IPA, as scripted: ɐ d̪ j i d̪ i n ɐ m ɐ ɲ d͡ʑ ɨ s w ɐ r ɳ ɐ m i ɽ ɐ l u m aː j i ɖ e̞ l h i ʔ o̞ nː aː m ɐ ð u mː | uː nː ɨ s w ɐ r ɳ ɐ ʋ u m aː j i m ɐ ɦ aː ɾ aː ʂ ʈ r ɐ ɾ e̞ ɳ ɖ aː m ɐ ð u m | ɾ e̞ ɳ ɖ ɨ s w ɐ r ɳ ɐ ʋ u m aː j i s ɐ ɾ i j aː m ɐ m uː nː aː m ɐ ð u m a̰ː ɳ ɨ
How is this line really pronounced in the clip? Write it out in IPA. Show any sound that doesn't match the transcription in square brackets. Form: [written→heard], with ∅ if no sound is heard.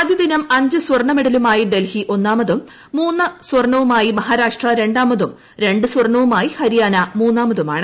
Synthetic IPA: ɐ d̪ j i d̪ i n ɐ m ɐ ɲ d͡ʑ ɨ s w ɐ r ɳ ɐ m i ɽ ɐ l u m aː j i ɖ e̞ l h i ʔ o̞ nː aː m ɐ ð u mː | uː nː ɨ s w ɐ r ɳ ɐ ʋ u m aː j i m ɐ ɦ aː ɾ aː ʂ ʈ r ɐ ɾ e̞ ɳ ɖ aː m ɐ ð u m | ɾ e̞ ɳ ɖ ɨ s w ɐ r ɳ ɐ ʋ u m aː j i [s→h] ɐ ɾ i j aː [m→n] ɐ m uː nː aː m ɐ ð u m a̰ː ɳ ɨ